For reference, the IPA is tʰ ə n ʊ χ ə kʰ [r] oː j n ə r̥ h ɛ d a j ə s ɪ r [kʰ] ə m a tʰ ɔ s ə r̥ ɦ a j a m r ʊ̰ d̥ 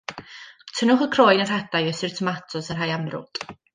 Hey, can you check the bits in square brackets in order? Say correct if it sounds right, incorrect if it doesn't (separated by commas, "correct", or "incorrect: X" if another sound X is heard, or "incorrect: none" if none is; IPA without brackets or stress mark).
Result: correct, incorrect: tʰ